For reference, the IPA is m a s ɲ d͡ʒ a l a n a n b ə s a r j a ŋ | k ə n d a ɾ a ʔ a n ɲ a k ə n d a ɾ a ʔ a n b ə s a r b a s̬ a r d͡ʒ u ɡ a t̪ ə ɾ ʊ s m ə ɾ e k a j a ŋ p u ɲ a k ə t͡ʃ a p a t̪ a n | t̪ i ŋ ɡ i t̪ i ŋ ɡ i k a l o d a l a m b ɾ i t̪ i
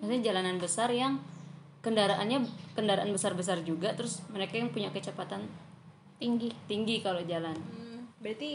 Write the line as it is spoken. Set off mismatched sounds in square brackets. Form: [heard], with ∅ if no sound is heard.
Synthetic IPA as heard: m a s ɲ d͡ʒ a l a n a n b ə s a r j a ŋ | k ə n d a ɾ a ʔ a n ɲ a k ə n d a ɾ a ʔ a n b ə s a r b [ə] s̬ a r d͡ʒ u ɡ a t̪ ə ɾ ʊ s m ə ɾ e k a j a ŋ p u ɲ a k ə t͡ʃ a p a t̪ a n | t̪ i ŋ ɡ i t̪ i ŋ ɡ i k a l o [d͡ʒ] a l a [n] b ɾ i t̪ i